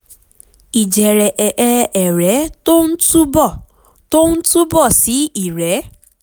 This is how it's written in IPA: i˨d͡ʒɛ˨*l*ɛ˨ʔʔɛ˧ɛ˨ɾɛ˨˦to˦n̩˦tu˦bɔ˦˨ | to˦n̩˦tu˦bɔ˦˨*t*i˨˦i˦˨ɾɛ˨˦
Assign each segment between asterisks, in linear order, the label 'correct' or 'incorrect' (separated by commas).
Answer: incorrect, incorrect